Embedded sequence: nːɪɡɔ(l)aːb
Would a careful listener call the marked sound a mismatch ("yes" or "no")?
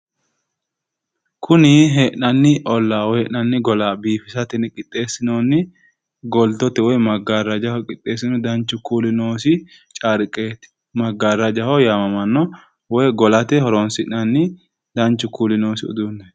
no